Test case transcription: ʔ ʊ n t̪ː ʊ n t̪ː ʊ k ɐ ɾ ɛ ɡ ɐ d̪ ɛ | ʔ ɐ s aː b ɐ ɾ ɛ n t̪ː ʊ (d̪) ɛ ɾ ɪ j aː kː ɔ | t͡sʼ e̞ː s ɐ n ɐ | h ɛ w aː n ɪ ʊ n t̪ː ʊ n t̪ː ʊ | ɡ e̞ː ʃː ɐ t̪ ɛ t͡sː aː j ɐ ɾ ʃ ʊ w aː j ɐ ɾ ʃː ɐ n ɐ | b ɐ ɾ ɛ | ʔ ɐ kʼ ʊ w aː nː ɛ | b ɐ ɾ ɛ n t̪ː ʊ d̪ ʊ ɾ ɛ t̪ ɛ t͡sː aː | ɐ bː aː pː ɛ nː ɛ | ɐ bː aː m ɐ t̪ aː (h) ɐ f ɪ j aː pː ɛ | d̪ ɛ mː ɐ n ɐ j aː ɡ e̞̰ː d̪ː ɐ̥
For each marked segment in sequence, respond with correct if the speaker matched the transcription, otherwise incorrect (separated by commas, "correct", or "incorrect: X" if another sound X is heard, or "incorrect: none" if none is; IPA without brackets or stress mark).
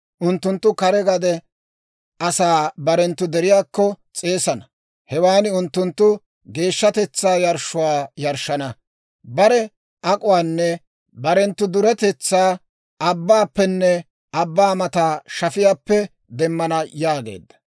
correct, incorrect: ʃ